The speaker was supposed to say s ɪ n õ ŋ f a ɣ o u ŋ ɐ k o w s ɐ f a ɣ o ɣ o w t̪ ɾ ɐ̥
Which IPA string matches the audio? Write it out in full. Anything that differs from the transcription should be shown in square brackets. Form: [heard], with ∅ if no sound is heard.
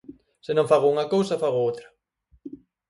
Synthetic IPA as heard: s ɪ n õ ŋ f a ɣ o u ŋ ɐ k o w s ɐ f a ɣ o [∅] o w t̪ ɾ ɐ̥